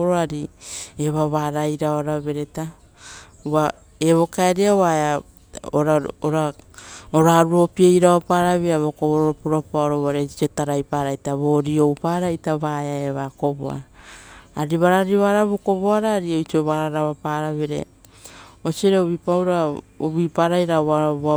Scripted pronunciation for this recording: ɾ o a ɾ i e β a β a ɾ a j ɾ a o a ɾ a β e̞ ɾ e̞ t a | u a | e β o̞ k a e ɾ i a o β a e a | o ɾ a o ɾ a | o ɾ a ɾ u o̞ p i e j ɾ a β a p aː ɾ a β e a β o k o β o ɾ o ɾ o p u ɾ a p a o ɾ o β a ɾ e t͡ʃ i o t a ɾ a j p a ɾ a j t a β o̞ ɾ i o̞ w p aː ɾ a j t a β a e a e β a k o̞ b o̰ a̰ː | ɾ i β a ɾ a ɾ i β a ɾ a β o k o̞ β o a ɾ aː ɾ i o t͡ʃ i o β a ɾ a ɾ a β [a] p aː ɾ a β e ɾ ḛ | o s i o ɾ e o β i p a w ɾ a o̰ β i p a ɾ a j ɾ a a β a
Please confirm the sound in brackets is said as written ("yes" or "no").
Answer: yes